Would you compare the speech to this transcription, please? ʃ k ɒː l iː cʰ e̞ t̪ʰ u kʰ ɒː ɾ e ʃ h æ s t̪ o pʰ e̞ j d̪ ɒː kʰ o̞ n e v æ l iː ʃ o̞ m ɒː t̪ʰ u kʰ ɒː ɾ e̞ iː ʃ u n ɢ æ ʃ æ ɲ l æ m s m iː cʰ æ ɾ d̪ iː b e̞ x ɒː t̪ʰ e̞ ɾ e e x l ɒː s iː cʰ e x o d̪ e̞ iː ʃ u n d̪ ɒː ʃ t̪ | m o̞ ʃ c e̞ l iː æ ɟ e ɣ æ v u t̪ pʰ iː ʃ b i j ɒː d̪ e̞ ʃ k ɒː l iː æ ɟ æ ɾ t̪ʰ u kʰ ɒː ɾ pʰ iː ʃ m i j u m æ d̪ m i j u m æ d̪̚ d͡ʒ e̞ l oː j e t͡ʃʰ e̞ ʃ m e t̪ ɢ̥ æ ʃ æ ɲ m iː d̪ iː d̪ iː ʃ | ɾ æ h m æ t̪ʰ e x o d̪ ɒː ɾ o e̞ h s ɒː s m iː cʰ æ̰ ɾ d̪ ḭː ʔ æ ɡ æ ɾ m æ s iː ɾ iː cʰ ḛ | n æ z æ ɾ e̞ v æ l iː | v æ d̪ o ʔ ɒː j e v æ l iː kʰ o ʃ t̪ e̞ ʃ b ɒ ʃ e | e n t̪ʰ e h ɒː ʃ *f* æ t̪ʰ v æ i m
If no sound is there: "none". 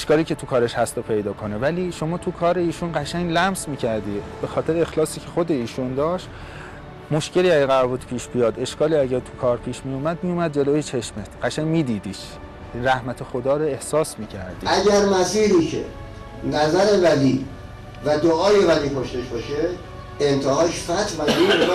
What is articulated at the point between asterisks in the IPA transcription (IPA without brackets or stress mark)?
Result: f